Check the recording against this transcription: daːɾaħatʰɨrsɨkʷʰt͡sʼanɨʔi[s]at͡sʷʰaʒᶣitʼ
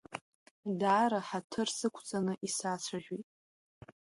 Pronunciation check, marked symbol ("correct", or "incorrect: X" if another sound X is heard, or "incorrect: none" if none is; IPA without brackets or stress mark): correct